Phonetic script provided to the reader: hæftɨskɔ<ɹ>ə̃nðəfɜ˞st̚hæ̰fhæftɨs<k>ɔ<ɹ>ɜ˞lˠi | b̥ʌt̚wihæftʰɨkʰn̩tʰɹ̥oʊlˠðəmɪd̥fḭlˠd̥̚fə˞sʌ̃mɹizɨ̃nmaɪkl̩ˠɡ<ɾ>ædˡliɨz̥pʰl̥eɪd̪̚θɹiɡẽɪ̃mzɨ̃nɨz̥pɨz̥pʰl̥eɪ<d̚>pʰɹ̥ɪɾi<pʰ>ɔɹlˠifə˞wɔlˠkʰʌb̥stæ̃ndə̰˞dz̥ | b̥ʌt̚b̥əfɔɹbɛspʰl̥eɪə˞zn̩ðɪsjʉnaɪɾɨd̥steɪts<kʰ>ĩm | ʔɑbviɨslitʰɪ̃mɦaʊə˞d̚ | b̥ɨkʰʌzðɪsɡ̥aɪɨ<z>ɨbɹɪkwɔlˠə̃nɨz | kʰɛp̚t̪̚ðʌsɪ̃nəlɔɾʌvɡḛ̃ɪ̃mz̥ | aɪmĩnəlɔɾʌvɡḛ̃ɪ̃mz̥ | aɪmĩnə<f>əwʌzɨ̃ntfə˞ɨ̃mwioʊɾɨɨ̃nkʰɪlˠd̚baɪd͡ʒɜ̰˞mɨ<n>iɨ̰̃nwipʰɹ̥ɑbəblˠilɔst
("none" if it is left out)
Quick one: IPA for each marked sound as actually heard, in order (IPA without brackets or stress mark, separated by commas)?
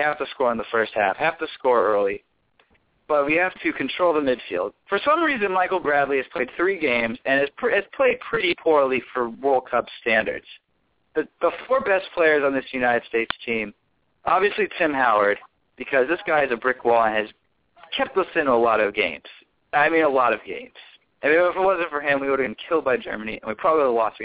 ɹ, k, ɹ, ɹ, d̚, pʰ, tʰ, z, f, n